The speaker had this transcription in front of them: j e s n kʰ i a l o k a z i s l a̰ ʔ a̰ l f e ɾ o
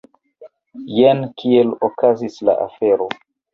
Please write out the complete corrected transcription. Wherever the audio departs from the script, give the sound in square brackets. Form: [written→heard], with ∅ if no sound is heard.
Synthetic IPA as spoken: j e [s→∅] n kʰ i [a→e] l o k a z i s l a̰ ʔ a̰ [l→∅] f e ɾ o